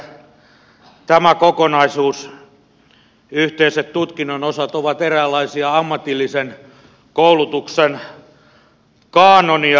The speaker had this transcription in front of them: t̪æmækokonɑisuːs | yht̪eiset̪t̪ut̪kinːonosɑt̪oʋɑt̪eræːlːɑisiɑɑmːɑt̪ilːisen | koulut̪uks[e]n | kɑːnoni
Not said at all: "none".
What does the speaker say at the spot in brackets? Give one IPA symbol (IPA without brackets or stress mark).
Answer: e